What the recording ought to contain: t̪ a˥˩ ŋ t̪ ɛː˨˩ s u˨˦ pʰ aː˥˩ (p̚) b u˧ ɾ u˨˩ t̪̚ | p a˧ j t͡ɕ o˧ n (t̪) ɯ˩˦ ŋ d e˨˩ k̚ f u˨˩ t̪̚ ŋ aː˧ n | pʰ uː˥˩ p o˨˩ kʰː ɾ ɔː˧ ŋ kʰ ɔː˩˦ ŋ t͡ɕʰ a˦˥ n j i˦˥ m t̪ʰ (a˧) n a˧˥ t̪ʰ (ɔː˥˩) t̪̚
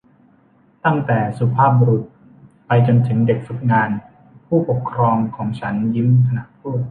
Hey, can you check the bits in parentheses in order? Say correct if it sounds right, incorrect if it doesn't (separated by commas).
correct, incorrect, correct, incorrect